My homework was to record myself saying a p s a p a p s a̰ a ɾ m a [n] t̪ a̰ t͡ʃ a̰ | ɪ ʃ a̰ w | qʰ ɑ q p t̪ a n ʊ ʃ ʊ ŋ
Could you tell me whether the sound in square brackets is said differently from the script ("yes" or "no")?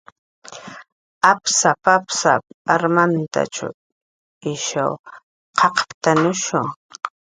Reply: no